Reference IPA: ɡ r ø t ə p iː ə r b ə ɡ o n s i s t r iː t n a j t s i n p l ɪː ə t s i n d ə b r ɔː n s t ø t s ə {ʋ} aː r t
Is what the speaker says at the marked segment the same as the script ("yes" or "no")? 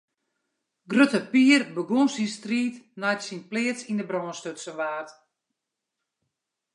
yes